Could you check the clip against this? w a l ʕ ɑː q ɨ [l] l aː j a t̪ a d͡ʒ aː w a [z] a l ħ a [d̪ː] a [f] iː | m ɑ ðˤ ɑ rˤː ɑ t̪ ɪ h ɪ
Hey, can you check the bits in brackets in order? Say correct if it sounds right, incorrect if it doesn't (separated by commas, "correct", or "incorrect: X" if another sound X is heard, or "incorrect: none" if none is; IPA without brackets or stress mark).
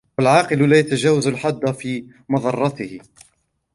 correct, correct, correct, correct